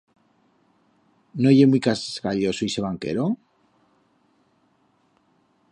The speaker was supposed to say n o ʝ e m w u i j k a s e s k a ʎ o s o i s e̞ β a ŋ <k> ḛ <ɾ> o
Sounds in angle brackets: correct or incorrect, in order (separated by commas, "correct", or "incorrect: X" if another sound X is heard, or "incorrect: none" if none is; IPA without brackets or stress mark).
correct, correct